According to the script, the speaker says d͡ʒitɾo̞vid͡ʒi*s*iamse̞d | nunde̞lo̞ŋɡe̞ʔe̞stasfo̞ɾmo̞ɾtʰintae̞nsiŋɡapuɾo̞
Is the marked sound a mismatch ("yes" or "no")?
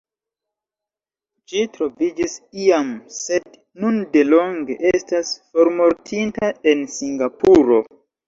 no